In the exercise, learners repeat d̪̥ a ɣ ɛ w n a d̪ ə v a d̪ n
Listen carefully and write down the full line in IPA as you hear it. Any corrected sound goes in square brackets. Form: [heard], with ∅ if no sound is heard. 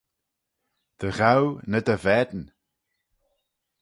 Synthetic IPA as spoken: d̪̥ [ə] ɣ [a] w n [ə] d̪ ə v [ɛ] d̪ n